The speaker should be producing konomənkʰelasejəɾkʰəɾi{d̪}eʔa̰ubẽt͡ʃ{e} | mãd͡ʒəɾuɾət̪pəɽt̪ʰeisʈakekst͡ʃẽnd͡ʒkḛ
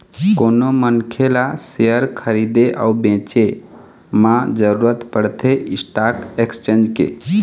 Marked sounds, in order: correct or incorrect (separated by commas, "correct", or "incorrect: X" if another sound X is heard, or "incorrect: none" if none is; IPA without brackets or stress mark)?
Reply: correct, correct